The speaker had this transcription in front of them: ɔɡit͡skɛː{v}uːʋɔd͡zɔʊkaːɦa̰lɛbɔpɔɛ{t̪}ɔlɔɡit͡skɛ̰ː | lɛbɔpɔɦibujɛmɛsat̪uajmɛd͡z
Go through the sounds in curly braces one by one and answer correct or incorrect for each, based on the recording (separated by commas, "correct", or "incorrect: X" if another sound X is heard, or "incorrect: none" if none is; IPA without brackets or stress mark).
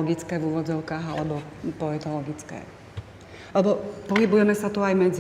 correct, correct